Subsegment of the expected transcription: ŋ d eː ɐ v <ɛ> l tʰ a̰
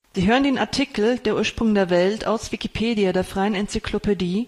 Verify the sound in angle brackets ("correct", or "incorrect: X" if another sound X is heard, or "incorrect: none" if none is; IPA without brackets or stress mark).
correct